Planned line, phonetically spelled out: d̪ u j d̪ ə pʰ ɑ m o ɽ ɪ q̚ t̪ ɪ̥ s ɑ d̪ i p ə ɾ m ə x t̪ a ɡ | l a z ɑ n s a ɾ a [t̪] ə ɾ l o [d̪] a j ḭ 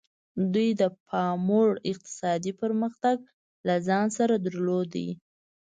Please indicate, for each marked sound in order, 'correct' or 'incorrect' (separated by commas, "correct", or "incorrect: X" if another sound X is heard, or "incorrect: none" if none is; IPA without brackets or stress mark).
incorrect: d̪, correct